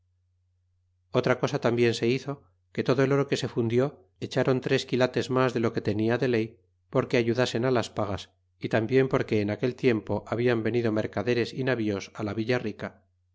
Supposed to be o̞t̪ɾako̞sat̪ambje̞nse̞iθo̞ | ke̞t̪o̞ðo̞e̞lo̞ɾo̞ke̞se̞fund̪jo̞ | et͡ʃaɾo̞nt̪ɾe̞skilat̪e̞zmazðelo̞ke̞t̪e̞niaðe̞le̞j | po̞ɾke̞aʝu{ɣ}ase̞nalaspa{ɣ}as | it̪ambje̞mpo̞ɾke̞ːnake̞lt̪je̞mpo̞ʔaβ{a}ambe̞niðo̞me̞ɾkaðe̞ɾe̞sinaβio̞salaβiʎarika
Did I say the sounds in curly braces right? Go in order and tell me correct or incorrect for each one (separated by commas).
incorrect, correct, incorrect